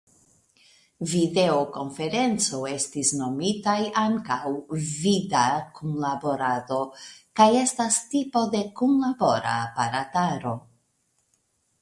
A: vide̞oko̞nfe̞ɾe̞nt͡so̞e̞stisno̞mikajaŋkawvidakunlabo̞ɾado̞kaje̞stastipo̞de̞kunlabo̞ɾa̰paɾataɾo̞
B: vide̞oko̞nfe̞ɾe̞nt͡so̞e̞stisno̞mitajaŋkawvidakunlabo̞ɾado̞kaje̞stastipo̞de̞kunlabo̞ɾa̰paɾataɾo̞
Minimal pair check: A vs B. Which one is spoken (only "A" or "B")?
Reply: B